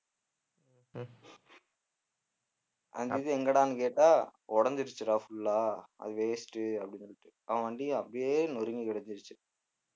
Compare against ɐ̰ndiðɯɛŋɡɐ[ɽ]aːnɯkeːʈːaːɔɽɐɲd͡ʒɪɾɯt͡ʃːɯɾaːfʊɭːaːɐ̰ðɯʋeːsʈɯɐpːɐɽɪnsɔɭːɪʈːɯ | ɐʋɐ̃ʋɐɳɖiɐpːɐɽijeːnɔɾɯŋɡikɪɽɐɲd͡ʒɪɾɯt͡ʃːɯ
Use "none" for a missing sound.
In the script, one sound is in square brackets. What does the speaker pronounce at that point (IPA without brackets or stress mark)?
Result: ɽ